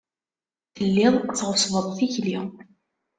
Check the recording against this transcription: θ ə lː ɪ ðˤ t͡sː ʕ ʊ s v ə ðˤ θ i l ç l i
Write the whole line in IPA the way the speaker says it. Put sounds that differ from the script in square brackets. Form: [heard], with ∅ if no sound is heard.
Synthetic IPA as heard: θ ə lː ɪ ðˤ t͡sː [ʁ] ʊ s v ə ðˤ θ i [∅] ç l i